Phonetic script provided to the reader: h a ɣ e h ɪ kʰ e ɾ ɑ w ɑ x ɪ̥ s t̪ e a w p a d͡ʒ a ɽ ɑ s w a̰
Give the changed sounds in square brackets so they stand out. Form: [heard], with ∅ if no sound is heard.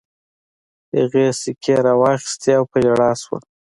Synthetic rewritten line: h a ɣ e [s] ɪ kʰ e ɾ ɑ w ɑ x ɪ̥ s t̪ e a w p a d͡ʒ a ɽ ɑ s w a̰